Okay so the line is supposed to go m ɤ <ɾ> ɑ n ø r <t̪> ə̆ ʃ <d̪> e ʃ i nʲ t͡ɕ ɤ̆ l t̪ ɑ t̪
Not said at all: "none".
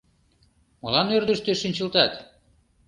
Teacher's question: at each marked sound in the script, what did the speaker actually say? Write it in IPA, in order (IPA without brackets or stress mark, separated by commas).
l, d̪, t̪